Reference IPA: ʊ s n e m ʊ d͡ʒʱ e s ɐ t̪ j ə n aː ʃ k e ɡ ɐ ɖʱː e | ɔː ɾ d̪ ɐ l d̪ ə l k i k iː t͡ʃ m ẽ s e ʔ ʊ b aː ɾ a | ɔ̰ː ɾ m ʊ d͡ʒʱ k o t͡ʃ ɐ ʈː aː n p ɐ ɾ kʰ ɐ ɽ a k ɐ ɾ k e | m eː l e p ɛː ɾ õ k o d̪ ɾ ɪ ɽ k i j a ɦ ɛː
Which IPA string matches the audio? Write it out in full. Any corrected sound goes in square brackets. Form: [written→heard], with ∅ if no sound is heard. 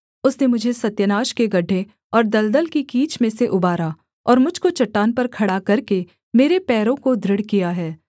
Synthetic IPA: ʊ s n e m ʊ d͡ʒʱ e s ɐ t̪ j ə n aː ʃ k e ɡ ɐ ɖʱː e | ɔː ɾ d̪ ɐ l d̪ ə l k i k iː t͡ʃ m ẽ s e ʔ ʊ b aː ɾ a | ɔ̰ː ɾ m ʊ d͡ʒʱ k o t͡ʃ ɐ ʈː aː n p ɐ ɾ kʰ ɐ ɽ a k ɐ ɾ k e | m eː [l→ɾ] e p ɛː ɾ õ k o d̪ ɾ ɪ ɽ k i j a ɦ ɛː

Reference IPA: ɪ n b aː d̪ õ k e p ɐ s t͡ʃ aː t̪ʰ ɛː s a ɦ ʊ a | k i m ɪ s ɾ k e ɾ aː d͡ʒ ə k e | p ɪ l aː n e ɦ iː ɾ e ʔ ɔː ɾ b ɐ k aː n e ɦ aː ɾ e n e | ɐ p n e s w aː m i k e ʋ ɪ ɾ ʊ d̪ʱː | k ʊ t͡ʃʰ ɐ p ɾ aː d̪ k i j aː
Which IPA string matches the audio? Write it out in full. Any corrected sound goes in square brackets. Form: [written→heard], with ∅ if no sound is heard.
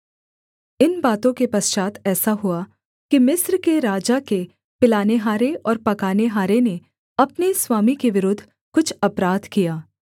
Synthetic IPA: ɪ n b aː [d̪→t̪] õ k e p ɐ s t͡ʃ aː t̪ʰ ɛː s a ɦ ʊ a | k i m ɪ s ɾ k e ɾ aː d͡ʒ [ə→a] k e | p ɪ l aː n e ɦ [iː→aː] ɾ e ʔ ɔː ɾ [b→p] ɐ k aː n e ɦ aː ɾ e n e | ɐ p n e s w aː m i k e ʋ ɪ ɾ ʊ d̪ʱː | k ʊ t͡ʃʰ ɐ p ɾ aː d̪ k i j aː

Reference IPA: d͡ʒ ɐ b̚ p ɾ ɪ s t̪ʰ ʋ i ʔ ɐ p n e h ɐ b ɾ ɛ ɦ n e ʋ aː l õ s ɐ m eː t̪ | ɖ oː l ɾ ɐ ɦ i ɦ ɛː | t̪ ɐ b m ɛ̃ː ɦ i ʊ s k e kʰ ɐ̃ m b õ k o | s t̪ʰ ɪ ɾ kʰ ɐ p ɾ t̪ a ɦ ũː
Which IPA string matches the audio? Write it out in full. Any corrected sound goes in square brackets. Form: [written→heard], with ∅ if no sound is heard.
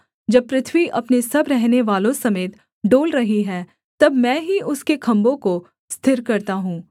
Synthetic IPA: d͡ʒ ɐ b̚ p ɾ ɪ [s→∅] t̪ʰ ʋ i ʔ ɐ p n e [h→s] ɐ b ɾ ɛ ɦ n e ʋ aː l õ s ɐ m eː t̪ | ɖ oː l ɾ ɐ ɦ i ɦ ɛː | t̪ ɐ b m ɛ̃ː ɦ i ʊ s k e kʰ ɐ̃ m b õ k o | s t̪ʰ ɪ ɾ [kʰ→k] ɐ [p→∅] ɾ t̪ a ɦ ũː

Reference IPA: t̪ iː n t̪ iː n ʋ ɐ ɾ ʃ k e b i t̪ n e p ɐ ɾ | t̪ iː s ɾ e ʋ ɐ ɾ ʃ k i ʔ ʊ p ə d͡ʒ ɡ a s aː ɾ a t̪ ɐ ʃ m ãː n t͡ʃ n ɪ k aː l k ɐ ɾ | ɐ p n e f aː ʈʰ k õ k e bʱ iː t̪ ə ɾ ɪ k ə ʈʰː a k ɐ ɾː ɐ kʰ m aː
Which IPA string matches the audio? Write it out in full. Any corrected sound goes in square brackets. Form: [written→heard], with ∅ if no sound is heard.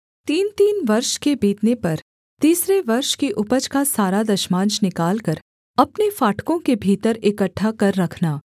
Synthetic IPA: t̪ iː n t̪ iː n ʋ ɐ ɾ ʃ k e b [i→iː] t̪ n e p ɐ ɾ | t̪ iː s ɾ e ʋ ɐ ɾ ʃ k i ʔ ʊ p ə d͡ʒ [ɡ→k] a s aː ɾ a [t̪→d̪] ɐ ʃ m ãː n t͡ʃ n ɪ k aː l k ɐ ɾ | ɐ p n e f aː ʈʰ k õ k e bʱ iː t̪ ə ɾ ɪ k ə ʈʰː a k ɐ ɾː ɐ kʰ [m→n] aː

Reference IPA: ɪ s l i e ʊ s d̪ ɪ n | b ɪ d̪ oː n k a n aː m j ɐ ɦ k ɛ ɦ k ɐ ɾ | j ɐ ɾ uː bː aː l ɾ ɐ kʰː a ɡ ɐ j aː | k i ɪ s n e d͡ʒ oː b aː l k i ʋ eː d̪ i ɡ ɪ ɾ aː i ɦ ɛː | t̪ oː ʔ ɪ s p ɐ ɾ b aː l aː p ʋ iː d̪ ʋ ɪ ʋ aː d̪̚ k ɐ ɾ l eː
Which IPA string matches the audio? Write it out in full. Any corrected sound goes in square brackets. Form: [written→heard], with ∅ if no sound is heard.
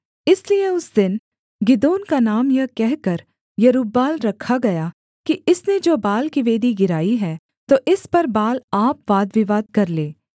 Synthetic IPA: ɪ s l i e ʊ s d̪ ɪ n | [b→ɡ] ɪ d̪ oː n k a n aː m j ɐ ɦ k ɛ ɦ k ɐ ɾ | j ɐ ɾ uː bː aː l ɾ ɐ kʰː a ɡ ɐ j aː | k i ɪ s n e d͡ʒ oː b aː l k i ʋ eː d̪ i ɡ ɪ ɾ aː i ɦ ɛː | t̪ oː ʔ ɪ s p ɐ ɾ b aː l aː p ʋ [iː→aː] d̪ ʋ ɪ ʋ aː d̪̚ k ɐ ɾ l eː

